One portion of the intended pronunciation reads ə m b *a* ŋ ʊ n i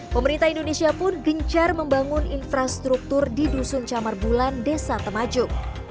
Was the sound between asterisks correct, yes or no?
yes